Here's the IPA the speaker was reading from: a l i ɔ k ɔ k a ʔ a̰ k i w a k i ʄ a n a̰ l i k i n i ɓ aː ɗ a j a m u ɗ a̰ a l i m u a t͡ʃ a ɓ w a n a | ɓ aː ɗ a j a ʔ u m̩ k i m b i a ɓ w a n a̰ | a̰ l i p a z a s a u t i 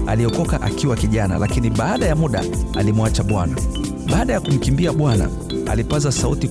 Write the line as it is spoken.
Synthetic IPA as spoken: a l i ɔ k ɔ k a ʔ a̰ k i w a k i ʄ a n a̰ l a k i n i ɓ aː ɗ a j a m u ɗ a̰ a l i m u a t͡ʃ a ɓ w a n a | ɓ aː ɗ a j a k u m̩ k i m b i a ɓ w a n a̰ | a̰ l i p a z a s a u t i